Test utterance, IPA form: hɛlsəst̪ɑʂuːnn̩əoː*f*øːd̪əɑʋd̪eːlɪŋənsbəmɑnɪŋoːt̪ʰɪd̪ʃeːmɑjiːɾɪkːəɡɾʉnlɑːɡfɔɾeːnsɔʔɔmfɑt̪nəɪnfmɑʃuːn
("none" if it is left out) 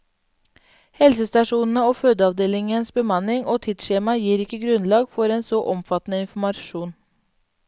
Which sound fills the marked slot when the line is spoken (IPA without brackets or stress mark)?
f